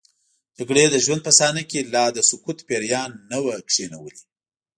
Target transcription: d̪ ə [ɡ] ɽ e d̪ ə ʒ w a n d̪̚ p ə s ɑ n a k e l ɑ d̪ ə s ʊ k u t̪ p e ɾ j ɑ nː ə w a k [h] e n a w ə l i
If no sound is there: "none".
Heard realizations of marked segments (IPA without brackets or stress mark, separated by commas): ɡ, ʂ